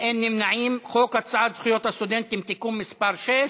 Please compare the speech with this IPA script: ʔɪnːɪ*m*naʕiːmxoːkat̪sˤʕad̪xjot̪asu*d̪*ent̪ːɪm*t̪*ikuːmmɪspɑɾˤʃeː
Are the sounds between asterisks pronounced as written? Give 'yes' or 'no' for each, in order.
yes, yes, yes

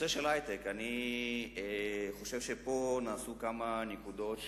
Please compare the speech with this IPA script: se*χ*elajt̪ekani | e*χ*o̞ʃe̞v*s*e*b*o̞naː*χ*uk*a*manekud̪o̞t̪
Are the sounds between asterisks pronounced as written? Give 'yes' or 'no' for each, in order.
no, yes, no, no, no, yes

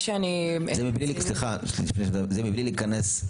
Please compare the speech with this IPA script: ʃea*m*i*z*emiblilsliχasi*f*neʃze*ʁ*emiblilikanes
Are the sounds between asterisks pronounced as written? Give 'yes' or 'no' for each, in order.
no, yes, yes, no

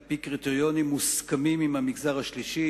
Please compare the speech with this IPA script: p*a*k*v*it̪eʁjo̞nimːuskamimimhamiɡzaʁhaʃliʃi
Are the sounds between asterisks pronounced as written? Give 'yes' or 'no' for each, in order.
no, no

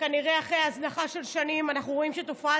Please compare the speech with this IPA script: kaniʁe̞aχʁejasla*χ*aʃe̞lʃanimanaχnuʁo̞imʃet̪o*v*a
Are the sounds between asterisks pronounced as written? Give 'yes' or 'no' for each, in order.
yes, no

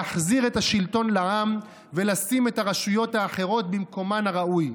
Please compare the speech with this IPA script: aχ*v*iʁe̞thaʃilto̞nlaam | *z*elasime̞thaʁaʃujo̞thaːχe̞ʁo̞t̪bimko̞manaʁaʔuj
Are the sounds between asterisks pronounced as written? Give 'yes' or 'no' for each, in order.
no, no

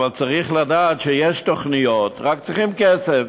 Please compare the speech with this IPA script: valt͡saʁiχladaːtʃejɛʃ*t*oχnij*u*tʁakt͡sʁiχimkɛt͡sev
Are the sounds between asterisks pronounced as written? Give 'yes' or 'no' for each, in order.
yes, no

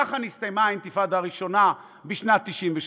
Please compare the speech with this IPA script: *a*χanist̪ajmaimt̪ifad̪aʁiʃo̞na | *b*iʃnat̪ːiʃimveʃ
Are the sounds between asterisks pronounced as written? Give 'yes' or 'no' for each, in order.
yes, yes

